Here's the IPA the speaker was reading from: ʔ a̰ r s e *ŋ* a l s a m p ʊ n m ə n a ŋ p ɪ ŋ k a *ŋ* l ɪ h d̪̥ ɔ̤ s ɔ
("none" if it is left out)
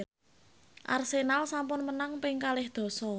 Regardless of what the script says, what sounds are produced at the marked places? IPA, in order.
n, none

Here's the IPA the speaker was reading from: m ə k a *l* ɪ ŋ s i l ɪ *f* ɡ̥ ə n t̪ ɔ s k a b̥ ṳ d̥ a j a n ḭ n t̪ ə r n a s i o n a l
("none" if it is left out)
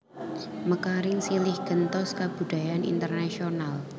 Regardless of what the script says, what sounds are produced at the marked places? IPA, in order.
ɾ, h

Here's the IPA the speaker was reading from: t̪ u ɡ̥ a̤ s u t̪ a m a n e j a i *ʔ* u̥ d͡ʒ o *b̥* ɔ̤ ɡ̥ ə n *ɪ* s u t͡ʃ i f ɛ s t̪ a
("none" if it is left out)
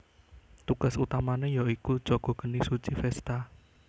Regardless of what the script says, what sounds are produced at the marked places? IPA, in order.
k, ɡ̥, i

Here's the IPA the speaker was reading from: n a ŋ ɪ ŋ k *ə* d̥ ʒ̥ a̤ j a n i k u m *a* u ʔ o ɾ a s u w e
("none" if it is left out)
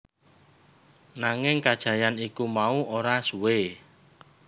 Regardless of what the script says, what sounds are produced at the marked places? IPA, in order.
a, a

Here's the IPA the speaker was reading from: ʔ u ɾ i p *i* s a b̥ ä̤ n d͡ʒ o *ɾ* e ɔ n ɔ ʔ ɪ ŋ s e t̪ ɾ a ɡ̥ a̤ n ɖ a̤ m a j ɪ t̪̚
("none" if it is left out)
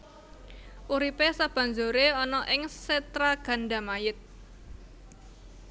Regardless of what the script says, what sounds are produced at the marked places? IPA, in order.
e, ɾ

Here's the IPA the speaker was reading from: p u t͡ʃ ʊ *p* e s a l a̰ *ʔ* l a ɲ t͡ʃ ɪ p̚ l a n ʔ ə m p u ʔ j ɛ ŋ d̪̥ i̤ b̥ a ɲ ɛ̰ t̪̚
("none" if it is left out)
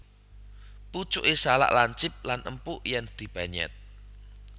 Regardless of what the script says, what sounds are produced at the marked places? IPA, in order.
ʔ, ʔ

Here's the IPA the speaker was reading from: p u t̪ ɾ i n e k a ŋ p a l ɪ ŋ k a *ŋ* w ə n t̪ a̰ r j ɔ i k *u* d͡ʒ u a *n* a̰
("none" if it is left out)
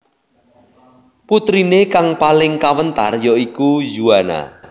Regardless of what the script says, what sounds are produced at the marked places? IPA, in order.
none, u, n

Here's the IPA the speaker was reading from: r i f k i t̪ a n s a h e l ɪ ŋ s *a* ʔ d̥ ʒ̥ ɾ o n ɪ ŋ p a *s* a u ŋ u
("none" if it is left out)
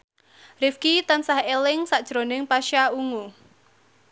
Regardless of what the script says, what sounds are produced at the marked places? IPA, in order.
a, ʃ

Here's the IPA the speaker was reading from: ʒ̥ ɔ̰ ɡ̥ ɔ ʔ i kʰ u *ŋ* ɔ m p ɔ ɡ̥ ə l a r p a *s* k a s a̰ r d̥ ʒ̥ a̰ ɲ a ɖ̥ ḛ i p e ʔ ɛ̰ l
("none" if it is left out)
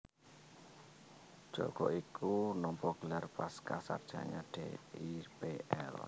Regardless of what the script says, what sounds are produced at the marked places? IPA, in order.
n, s

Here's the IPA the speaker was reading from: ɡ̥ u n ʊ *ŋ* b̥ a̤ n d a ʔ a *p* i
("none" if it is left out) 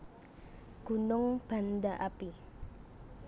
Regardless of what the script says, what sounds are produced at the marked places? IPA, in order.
ŋ, p

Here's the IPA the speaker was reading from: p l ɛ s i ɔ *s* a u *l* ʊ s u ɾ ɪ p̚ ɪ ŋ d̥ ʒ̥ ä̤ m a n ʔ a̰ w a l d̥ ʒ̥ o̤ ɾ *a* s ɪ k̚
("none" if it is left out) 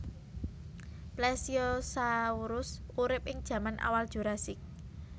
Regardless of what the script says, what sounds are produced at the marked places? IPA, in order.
s, ɾ, a

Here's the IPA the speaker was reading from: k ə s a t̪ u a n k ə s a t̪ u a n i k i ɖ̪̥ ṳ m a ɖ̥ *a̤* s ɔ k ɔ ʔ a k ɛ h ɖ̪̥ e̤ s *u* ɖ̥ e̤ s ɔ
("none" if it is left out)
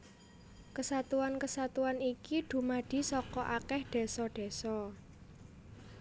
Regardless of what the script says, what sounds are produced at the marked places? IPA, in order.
i̤, ɔ

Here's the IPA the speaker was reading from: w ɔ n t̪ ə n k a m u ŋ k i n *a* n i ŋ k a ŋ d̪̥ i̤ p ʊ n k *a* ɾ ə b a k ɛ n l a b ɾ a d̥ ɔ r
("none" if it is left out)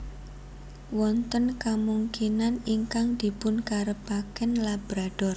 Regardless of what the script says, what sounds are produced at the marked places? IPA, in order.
a, a

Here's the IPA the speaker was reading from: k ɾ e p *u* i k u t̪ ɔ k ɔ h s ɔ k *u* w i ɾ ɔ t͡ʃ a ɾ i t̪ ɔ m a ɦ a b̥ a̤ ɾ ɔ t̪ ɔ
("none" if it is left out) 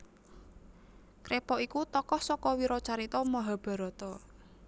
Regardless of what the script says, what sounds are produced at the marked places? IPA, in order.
ɔ, ɔ

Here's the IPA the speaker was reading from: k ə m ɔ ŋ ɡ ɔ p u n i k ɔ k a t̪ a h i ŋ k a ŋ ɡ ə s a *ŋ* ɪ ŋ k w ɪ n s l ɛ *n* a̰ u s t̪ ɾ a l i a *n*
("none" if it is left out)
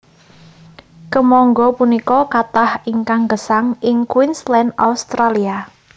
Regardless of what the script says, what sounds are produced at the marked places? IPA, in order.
ŋ, n, none

